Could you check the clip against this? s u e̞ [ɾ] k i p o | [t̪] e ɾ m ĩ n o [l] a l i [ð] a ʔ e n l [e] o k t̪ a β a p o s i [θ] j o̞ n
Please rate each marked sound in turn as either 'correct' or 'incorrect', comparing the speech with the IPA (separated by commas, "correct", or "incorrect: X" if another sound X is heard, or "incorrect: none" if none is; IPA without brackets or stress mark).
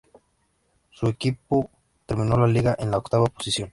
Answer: incorrect: none, correct, correct, incorrect: ɣ, incorrect: a, incorrect: s